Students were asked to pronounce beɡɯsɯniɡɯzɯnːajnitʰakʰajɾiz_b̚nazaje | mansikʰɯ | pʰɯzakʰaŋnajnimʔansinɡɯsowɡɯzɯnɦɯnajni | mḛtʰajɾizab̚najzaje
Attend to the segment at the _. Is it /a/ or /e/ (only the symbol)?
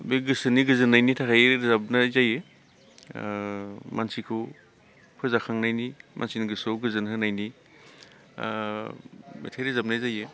a